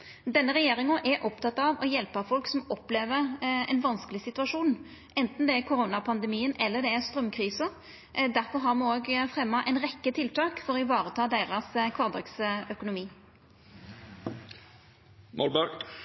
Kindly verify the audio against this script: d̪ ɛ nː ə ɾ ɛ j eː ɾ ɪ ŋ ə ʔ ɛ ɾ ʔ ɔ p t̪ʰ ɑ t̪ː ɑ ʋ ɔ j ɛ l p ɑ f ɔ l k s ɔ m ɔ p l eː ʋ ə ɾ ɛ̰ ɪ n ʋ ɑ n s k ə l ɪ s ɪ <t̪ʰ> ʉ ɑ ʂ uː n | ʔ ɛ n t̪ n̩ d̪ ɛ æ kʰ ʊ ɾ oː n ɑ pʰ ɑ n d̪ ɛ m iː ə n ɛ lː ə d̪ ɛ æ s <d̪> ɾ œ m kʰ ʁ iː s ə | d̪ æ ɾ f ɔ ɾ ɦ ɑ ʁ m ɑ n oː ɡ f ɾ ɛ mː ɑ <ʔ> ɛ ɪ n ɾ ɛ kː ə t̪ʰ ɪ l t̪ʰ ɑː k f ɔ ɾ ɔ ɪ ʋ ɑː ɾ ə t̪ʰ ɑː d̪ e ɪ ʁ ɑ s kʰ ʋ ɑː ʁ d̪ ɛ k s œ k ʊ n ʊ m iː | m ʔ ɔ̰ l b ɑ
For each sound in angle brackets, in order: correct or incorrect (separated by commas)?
incorrect, incorrect, correct